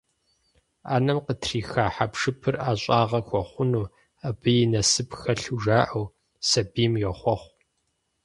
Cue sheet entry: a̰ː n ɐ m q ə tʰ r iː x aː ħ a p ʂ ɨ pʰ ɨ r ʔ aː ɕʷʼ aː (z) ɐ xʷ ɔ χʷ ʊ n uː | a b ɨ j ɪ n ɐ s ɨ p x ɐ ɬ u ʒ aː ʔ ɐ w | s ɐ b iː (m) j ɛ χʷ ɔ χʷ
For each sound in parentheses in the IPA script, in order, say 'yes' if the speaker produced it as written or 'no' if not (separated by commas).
no, yes